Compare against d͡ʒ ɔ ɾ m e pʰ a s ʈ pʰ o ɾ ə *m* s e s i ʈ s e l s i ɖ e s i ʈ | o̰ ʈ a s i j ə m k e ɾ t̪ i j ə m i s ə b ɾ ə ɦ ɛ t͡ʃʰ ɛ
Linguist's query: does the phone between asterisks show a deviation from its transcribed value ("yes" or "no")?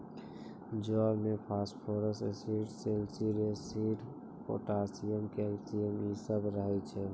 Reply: yes